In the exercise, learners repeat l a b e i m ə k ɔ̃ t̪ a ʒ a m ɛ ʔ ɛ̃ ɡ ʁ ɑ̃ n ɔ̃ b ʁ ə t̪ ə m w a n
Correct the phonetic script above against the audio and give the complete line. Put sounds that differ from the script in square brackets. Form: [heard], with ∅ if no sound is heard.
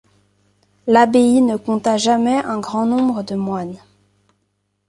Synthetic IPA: l a b e i [n] ə k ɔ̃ t̪ a ʒ a m ɛ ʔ ɛ̃ ɡ ʁ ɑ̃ n ɔ̃ b ʁ ə [d̪] ə m w a n